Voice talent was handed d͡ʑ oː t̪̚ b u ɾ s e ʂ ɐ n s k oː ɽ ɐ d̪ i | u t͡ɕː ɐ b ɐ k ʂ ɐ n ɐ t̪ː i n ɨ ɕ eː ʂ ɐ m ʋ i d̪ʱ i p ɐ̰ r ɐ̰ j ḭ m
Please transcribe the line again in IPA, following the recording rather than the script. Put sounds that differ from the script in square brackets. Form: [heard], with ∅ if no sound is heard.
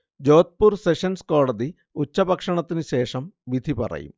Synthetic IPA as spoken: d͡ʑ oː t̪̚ [p] u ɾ s e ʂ ɐ n s k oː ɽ ɐ d̪ i | u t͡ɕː ɐ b ɐ k ʂ ɐ [ɳ] ɐ t̪ː i n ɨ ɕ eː ʂ ɐ m ʋ i d̪ʱ i p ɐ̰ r ɐ̰ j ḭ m